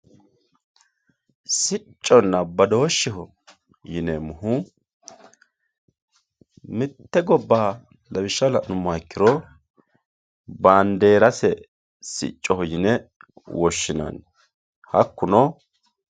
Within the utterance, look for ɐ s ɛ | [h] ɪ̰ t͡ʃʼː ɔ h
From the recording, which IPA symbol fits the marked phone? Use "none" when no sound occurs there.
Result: s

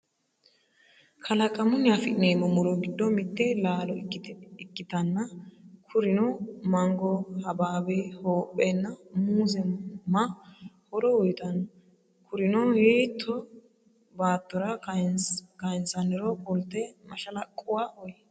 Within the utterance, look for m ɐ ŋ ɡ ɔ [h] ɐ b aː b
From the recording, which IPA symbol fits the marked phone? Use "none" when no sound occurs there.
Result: h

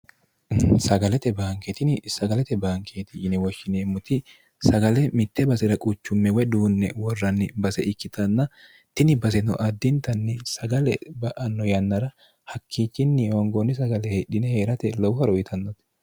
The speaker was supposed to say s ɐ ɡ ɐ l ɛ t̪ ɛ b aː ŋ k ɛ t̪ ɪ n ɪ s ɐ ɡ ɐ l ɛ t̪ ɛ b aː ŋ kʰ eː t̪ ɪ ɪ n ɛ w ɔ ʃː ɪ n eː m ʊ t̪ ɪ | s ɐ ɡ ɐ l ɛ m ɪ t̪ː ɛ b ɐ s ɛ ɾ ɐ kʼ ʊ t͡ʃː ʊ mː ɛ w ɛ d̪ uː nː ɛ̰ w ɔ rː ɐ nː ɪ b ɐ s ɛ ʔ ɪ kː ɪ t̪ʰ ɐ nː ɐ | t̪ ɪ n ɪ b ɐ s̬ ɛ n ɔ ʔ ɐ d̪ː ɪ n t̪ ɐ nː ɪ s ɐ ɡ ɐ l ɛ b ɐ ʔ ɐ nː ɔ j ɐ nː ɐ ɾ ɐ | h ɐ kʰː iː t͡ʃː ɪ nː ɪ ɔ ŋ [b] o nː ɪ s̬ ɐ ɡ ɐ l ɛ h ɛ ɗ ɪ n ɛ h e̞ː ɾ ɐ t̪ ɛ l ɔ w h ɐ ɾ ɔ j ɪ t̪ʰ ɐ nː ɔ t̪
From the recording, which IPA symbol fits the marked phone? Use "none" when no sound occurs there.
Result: ɡ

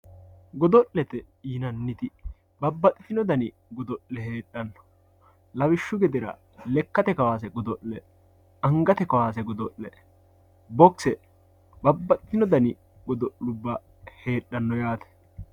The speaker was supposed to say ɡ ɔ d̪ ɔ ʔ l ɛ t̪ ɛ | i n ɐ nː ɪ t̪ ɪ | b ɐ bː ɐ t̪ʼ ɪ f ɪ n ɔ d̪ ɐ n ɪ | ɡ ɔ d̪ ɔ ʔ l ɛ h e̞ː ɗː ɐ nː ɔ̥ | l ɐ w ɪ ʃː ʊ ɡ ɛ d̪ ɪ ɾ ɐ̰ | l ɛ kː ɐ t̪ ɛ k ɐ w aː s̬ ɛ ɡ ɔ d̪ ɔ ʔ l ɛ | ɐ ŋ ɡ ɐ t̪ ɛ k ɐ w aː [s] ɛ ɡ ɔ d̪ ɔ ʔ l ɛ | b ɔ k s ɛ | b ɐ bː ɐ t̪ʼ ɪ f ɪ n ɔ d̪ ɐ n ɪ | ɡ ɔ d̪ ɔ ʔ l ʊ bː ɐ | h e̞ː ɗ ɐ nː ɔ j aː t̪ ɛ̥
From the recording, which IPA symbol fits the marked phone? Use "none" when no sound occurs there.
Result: s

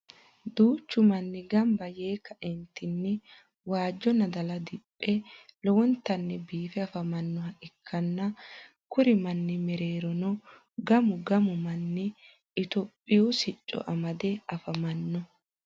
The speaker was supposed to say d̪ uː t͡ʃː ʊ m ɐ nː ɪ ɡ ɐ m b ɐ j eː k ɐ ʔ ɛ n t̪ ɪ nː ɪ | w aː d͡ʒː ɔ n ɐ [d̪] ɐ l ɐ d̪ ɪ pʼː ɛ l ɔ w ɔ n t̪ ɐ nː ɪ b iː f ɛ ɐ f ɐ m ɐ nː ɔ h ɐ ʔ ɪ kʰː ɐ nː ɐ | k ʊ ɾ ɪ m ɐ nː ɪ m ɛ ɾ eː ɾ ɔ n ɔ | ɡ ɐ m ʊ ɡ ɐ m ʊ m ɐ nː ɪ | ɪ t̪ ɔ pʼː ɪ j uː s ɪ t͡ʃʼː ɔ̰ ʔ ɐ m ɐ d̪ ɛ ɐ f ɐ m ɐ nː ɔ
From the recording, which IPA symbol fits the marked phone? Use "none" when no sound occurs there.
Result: d̪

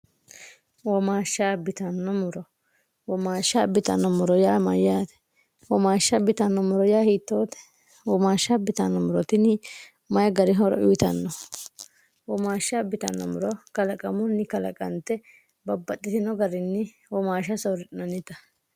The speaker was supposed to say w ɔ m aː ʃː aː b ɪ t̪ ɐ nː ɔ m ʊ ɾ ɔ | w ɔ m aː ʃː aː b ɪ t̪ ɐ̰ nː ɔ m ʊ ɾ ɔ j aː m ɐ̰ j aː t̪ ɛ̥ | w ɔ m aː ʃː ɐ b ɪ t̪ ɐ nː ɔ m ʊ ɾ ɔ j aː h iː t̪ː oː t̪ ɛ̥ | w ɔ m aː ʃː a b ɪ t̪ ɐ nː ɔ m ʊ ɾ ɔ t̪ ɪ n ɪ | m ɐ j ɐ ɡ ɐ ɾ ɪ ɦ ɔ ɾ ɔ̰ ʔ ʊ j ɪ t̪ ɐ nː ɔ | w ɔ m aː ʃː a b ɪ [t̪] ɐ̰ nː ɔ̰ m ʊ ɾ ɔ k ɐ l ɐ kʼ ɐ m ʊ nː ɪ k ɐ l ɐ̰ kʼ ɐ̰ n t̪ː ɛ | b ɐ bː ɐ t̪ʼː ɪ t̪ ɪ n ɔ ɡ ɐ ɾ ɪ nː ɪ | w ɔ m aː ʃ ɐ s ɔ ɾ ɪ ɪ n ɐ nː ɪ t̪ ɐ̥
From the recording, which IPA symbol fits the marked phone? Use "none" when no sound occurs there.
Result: t̪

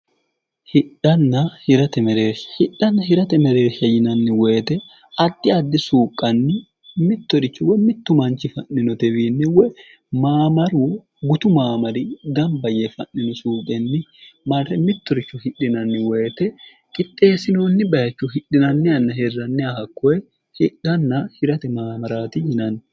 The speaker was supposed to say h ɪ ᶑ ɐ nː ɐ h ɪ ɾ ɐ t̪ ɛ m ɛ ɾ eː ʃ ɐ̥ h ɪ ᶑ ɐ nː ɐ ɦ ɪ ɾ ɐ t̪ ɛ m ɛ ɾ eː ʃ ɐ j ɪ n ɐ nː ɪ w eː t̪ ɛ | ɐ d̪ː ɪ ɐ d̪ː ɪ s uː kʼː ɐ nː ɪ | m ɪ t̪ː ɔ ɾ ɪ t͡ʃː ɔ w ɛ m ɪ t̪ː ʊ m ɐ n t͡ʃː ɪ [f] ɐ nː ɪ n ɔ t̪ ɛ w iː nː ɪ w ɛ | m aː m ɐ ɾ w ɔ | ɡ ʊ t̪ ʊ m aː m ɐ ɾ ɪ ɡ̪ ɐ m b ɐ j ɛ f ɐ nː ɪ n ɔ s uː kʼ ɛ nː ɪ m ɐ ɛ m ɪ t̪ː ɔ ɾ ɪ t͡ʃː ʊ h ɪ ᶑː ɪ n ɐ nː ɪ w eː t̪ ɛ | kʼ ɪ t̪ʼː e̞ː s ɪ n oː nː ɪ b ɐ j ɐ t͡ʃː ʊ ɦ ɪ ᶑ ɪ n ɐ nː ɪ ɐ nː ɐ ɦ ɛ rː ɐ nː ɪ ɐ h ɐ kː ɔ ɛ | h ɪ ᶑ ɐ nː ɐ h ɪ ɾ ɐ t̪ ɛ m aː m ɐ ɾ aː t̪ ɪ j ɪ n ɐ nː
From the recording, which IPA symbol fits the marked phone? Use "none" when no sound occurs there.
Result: f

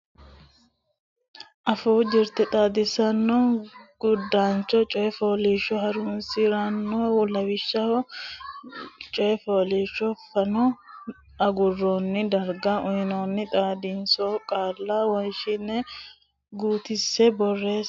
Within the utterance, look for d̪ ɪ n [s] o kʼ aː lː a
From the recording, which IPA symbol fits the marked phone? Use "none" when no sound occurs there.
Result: s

